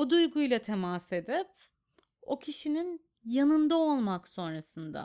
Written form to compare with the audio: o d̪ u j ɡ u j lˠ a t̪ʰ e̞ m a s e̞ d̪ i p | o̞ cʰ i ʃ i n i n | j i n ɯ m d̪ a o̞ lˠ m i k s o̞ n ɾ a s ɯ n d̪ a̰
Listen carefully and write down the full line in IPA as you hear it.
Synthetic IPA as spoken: o d̪ u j ɡ u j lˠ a t̪ʰ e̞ m a s e̞ d̪ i p | o̞ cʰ i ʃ i n i n | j a n ɯ n d̪ a o̞ lˠ m a k s o̞ n ɾ a s ɯ n d̪ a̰